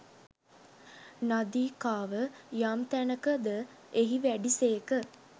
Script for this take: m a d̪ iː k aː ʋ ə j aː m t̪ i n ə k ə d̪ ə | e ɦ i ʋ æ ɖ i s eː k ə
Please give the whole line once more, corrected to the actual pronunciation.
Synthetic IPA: n a d̪ iː k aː ʋ ə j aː m t̪ æ n ə k ə d̪ ə | e ɦ i ʋ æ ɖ i s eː k ə